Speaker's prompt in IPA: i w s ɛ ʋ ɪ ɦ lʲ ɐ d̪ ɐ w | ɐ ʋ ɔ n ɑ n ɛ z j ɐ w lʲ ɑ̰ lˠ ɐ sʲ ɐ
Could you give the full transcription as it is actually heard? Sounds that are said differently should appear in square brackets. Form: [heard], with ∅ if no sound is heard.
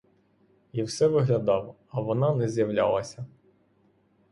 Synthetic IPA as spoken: i w s ɛ ʋ ɪ ɦ lʲ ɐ d̪ [ɑ] w | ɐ ʋ ɔ n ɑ n ɛ z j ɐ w lʲ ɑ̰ lˠ ɐ sʲ ɐ